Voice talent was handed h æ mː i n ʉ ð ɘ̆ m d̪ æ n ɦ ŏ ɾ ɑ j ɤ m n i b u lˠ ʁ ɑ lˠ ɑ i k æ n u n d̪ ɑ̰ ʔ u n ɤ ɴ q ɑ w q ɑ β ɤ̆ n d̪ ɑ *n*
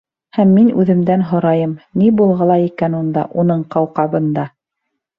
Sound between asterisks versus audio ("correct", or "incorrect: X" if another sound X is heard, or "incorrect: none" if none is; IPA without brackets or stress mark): incorrect: none